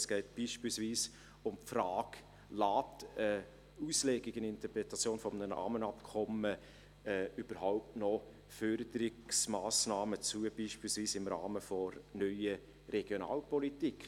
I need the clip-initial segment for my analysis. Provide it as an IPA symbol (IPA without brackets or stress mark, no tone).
s